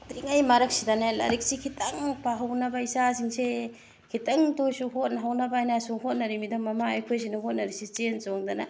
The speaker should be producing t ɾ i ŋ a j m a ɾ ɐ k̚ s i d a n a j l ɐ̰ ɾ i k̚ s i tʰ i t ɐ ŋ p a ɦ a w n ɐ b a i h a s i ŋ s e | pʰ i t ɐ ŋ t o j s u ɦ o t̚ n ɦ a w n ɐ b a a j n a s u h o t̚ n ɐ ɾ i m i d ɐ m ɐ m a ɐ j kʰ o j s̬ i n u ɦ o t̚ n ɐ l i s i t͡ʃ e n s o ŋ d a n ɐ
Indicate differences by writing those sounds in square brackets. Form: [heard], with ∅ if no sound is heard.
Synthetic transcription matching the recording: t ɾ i ŋ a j m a ɾ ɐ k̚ s i d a n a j l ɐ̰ ɾ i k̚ s i [kʰ] i t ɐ ŋ p a ɦ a w n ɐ b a i [s] a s i ŋ s e | [kʰ] i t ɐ ŋ t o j s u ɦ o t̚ n ɦ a w n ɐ b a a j n a s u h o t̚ n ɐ ɾ i m i d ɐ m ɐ m a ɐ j kʰ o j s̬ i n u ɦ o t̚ n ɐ [ɾ] i s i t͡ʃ e n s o ŋ d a n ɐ